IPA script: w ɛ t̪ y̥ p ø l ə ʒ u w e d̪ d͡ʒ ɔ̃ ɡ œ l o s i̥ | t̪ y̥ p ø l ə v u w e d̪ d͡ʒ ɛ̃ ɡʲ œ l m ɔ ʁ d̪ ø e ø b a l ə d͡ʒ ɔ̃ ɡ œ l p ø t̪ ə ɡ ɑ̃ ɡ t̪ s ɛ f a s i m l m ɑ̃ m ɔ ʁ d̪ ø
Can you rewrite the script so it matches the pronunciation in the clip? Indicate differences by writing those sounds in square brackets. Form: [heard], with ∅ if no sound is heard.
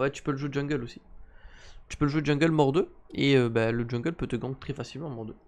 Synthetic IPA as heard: w ɛ t̪ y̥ p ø l ə ʒ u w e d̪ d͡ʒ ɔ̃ ɡ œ l o s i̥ | t̪ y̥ p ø l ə [ʒ] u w e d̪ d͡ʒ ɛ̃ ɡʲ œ l m ɔ ʁ d̪ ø e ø b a l ə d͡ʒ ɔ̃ ɡ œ l p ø t̪ ə ɡ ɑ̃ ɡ t̪ [χ] ɛ f a s i [∅] l m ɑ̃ m ɔ ʁ d̪ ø

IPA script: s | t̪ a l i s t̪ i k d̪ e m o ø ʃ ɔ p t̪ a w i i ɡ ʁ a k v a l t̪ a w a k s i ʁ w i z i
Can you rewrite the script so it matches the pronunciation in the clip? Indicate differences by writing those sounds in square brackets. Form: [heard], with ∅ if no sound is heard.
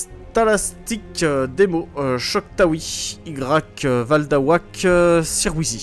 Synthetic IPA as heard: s | t̪ a l [a] s t̪ i k d̪ e m o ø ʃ ɔ [k] t̪ a w i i ɡ ʁ a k v a l [d̪] a w a k s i ʁ w i z i

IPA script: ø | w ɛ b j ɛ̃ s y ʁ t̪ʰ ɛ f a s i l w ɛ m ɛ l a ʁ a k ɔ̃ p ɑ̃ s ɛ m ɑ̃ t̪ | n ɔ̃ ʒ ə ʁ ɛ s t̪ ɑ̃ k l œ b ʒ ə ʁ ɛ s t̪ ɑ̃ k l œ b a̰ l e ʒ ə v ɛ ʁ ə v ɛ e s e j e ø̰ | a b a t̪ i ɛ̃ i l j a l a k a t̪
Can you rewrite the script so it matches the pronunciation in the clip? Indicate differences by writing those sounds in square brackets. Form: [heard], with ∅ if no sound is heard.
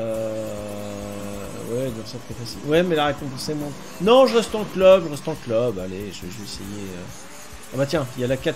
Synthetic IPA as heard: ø | w ɛ b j ɛ̃ s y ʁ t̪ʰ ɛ f a s i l w ɛ m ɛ l a ʁ [e] k ɔ̃ p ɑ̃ s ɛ m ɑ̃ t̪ | n ɔ̃ ʒ ə ʁ ɛ s t̪ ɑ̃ k l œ b ʒ ə ʁ ɛ s t̪ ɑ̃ k l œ b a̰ l e ʒ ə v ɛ [ʒ] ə v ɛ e s e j e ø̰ | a b a t̪ [j] ɛ̃ i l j a l a k a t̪

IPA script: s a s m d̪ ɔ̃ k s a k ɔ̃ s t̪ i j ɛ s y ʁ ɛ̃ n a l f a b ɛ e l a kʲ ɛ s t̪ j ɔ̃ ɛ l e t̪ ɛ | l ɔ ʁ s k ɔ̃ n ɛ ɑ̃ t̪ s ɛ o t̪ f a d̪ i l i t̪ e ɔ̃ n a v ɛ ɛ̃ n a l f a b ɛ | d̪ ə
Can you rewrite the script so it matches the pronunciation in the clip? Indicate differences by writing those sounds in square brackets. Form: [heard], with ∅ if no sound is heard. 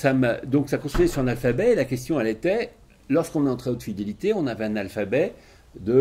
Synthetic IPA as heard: s a [∅] m d̪ ɔ̃ k s a k ɔ̃ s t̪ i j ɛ s y ʁ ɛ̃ n a l f a b ɛ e l a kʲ ɛ s t̪ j ɔ̃ ɛ l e t̪ ɛ | l ɔ ʁ s k ɔ̃ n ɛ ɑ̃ t̪ [χ] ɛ o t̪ f [i] d̪ [e] l i t̪ e ɔ̃ n a v ɛ ɛ̃ n a l f a b ɛ | d̪ ə

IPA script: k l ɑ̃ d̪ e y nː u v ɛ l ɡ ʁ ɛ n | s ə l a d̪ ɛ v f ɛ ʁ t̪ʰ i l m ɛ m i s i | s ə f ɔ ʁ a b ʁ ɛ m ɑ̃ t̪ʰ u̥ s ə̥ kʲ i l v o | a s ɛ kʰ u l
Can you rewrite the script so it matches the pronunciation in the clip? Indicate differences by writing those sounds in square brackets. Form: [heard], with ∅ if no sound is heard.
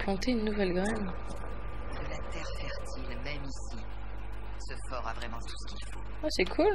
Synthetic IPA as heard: [p] l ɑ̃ [t̪] e y nː u v ɛ l ɡ ʁ ɛ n | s ə l a [t̪] ɛ [ʁ] f ɛ ʁ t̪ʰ i l m ɛ m i s i | s ə f ɔ ʁ a [v] ʁ ɛ m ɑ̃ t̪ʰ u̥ s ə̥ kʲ i l [f] o | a s ɛ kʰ u l

